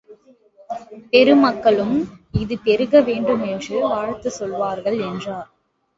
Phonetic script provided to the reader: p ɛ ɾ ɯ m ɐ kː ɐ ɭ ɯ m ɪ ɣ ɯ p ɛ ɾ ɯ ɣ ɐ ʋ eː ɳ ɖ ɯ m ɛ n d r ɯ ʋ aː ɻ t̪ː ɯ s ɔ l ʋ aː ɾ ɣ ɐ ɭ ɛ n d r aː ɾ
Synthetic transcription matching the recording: p ɛ ɾ ɯ m ɐ kː ɐ ɭ ɯ m ɪ ð ɯ p ɛ ɾ ɯ ɣ ɐ ʋ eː ɳ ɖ ɯ m ɛ n d r ɯ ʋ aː ɻ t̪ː ɯ s ɔ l ʋ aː ɾ ɣ ɐ ɭ ɛ n d r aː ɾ